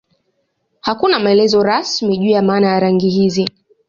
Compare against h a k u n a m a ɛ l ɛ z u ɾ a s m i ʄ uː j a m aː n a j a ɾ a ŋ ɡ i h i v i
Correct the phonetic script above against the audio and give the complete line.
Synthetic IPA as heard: h a k u n a m a ɛ l ɛ z ɔ ɾ a s m i ʄ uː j a m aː n a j a ɾ a ŋ ɡ i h i z i